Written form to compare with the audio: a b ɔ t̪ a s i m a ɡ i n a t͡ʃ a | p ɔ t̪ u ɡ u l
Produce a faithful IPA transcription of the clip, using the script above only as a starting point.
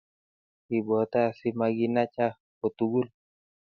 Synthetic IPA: i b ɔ t̪ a s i m a ɡ i n a t͡ʃ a | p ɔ t̪ u ɡ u l